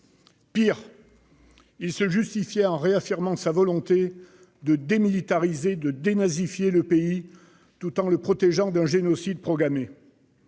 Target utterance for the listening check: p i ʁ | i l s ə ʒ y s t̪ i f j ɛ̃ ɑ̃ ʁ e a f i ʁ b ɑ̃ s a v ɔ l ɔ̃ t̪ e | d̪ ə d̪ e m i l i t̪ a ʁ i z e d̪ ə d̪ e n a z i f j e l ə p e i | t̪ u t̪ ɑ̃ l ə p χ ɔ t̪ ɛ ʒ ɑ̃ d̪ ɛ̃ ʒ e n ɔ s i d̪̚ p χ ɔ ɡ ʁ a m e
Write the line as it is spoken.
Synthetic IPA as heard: p i ʁ | i l s ə ʒ y s t̪ i f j ɛ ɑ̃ ʁ e a f i ʁ m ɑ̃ s a v ɔ l ɔ̃ t̪ e | d̪ ə d̪ e m i l i t̪ a ʁ i z e d̪ ə d̪ e n a z i f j e l ə p e i | t̪ u t̪ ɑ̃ l ə p χ ɔ t̪ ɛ ʒ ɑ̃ d̪ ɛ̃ ʒ e n ɔ s i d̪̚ p χ ɔ ɡ ʁ a m e

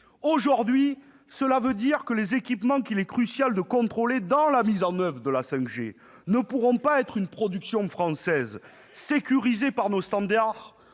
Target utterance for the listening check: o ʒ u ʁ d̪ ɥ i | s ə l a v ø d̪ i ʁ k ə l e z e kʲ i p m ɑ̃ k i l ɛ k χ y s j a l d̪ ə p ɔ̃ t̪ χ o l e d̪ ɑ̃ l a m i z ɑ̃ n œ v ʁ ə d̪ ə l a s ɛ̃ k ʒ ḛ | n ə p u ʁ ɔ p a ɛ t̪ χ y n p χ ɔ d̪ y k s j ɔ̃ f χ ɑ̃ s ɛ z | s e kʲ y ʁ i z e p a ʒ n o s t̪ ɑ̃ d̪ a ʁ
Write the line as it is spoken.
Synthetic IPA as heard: o ʒ u ʁ d̪ ɥ i | s ə l a v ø d̪ i ʁ k ə l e z e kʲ i p m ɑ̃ k i l ɛ k χ y s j a l d̪ ə k ɔ̃ t̪ χ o l e d̪ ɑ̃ l a m i z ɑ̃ n œ v ʁ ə d̪ ə l a s ɛ̃ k ʒ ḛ | n ə p u ʁ ɔ̃ p a ɛ t̪ χ y n p χ ɔ d̪ y k s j ɔ̃ f χ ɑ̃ s ɛ z | s e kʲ y ʁ i z e p a ʁ n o s t̪ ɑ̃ d̪ a ʁ

